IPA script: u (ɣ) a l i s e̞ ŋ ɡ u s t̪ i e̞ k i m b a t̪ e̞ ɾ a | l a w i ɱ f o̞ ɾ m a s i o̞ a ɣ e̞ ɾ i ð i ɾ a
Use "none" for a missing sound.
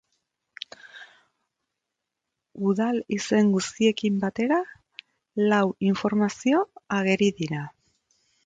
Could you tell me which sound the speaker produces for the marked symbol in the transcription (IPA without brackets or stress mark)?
ð